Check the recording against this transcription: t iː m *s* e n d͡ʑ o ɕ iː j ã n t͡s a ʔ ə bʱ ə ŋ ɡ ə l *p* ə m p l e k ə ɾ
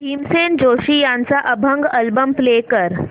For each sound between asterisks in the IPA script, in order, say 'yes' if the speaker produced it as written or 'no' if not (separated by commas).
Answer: yes, no